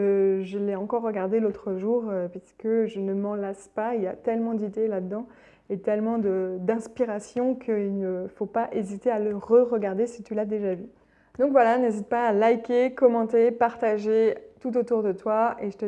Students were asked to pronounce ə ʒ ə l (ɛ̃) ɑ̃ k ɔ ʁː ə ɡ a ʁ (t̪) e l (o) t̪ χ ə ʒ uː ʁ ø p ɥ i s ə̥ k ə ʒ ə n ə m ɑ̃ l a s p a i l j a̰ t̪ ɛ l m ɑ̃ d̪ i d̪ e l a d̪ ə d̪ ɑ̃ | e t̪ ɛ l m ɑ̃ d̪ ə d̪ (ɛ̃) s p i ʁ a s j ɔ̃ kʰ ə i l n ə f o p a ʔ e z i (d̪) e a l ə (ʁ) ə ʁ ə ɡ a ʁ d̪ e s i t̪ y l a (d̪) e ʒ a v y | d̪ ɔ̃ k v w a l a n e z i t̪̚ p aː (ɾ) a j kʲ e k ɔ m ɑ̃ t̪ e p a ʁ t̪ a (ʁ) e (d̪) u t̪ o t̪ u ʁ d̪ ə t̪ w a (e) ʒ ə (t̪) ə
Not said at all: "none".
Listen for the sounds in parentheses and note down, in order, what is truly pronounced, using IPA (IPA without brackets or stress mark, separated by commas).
ɛ, d̪, o, ɛ̃, t̪, ʁ, d̪, l, ʒ, t̪, e, t̪